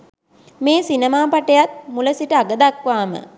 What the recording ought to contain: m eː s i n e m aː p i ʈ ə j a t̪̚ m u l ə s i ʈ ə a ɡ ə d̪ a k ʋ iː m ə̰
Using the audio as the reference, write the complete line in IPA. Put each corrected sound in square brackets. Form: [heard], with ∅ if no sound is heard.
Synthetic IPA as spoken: m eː s i n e m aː p [a] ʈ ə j a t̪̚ m u l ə s i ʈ ə a ɡ ə d̪ a k ʋ [aː] m ə̰